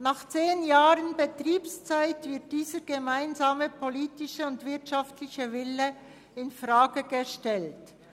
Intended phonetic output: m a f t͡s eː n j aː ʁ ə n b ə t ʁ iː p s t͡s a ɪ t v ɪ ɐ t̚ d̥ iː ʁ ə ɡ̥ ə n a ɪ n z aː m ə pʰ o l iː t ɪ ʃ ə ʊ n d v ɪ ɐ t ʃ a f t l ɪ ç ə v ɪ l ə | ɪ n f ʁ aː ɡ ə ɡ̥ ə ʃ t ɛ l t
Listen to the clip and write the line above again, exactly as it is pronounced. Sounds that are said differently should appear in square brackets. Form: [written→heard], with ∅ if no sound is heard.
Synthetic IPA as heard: [m→n] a [f→χ] t͡s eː n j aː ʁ ə n b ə t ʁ iː p s t͡s a ɪ t v ɪ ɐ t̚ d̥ iː [ʁ→z] ə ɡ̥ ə [n→m] a ɪ n z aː m ə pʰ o l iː t ɪ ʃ ə ʊ n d v ɪ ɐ t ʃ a f t l ɪ ç ə v ɪ l ə | ɪ n f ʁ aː ɡ ə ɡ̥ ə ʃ t ɛ l t

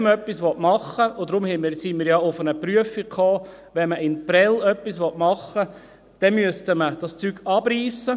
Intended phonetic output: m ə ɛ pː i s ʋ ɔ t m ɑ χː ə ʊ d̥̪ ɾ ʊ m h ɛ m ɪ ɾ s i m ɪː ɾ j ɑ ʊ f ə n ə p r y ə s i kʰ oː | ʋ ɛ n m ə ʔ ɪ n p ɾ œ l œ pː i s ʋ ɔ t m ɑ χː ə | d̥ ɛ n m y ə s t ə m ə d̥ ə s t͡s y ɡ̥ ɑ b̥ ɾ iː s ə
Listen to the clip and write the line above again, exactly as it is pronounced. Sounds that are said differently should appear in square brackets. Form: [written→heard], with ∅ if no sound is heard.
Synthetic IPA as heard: m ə [ɛ→œ] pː i s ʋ ɔ t m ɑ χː ə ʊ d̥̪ ɾ ʊ m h ɛ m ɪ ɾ s i m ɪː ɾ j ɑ ʊ f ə n ə p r y ə [s→f] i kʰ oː | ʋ ɛ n m ə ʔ ɪ n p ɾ [œ→ɛ] l œ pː i s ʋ ɔ t m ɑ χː ə | d̥ ɛ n m y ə s t ə m ə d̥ [ə→ɑ] s t͡s y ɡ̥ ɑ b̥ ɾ iː s ə

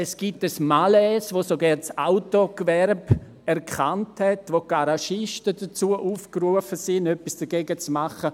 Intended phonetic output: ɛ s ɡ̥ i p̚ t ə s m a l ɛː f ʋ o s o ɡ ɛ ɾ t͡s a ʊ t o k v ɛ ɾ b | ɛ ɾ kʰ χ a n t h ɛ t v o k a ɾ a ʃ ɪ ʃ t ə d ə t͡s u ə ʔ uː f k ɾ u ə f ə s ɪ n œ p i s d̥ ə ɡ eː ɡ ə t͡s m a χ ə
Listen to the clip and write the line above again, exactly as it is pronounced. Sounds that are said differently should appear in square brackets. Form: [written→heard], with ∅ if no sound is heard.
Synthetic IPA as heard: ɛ s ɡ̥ i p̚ t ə s m a l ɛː [f→s] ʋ o s o ɡ ɛ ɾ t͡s a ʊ t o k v ɛ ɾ b | ɛ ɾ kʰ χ a n t h ɛ t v o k a ɾ a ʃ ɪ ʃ t ə d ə t͡s u ə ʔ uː f k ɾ u ə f ə s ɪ n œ p i s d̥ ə ɡ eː ɡ ə t͡s m a χ ə

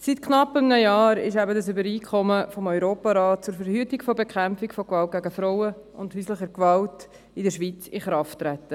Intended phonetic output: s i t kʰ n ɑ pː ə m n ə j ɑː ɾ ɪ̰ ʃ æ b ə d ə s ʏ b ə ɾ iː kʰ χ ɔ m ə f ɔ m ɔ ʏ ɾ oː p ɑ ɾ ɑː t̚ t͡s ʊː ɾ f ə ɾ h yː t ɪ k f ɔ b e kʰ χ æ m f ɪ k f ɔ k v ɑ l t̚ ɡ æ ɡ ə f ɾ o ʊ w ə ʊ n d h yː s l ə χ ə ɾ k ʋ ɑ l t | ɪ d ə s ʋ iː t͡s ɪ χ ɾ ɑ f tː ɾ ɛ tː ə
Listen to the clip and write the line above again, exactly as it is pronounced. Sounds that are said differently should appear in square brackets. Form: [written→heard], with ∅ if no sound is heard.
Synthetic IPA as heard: s i t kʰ n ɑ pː ə m n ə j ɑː ɾ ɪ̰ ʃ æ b ə d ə s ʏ b ə ɾ iː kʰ χ ɔ m ə f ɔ m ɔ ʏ ɾ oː p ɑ ɾ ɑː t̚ t͡s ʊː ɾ f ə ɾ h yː t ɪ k f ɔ b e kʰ χ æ m f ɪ k f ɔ k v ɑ l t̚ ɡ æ ɡ ə f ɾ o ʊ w ə ʊ n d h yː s l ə χ ə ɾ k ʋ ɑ l t | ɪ d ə [s→ʃ] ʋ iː t͡s ɪ χ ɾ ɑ f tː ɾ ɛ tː ə

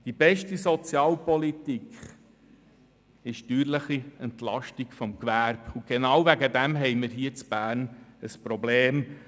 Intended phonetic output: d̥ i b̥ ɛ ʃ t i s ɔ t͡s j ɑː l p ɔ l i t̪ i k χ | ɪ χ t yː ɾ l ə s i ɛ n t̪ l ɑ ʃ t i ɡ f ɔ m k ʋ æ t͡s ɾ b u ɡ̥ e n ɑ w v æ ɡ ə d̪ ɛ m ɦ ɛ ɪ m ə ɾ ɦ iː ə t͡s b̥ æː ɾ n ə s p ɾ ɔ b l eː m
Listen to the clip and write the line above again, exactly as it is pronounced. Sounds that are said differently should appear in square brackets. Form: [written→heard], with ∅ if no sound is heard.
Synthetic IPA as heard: d̥ i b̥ ɛ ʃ t i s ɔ t͡s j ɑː l p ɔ l i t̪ i k χ | ɪ [χ→ʃ] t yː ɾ l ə [s→χ] i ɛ n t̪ l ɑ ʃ t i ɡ f ɔ m k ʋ æ [t͡s→∅] ɾ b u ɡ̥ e n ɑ w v æ ɡ ə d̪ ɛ m ɦ ɛ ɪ m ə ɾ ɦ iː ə t͡s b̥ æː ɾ n ə s p ɾ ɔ b l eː m

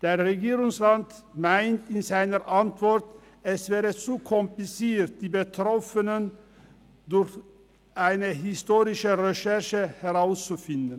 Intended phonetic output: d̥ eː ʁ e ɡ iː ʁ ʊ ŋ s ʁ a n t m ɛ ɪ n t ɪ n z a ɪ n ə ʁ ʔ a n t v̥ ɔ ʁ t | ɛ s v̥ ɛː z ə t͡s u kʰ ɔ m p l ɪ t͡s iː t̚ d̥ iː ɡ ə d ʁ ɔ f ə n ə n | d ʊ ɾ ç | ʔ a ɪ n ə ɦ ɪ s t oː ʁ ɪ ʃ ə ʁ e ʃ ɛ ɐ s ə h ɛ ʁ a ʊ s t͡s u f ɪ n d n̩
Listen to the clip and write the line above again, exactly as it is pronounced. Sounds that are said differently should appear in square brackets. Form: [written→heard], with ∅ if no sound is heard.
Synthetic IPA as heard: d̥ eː ʁ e ɡ iː ʁ ʊ ŋ s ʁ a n t m [ɛ→a] ɪ n t ɪ n z a ɪ n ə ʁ ʔ a n t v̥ ɔ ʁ t | ɛ s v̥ ɛː [z→ʁ] ə t͡s u kʰ ɔ m p l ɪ t͡s iː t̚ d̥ iː [ɡ→b] ə [d→t] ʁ ɔ f ə n ə n | d ʊ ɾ ç | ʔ a ɪ n ə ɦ ɪ s t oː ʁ ɪ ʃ ə ʁ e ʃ ɛ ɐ [s→ʃ] ə h ɛ ʁ a ʊ s t͡s u f ɪ n d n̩

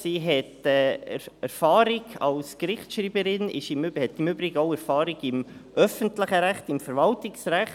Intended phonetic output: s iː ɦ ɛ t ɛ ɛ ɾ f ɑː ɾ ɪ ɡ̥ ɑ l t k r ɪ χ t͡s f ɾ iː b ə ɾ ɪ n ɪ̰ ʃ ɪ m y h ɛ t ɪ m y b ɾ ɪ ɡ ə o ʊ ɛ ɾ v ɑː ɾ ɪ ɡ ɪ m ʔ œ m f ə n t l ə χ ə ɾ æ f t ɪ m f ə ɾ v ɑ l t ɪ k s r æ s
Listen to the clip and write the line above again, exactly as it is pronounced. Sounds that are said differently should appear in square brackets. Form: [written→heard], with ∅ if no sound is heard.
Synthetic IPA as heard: s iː ɦ ɛ t ɛ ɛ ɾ f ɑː ɾ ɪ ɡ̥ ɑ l [t→s] k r ɪ χ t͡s [f→ʃ] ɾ iː b ə ɾ ɪ n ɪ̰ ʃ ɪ m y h ɛ t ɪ m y b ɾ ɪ ɡ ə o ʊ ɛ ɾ [v→f] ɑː ɾ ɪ ɡ ɪ m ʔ œ [m→∅] f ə n t l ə χ ə ɾ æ [f→χ] t ɪ m f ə ɾ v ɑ l t ɪ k s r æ [s→χ]

